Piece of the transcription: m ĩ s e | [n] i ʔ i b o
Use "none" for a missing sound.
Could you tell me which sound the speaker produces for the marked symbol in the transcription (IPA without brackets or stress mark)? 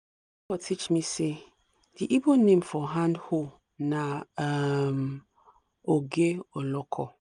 d